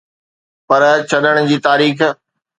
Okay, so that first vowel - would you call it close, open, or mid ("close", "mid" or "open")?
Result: open